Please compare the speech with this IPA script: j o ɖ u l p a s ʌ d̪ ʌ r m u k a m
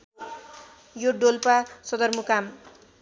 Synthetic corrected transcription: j o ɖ o l p a s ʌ d̪ ʌ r m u k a m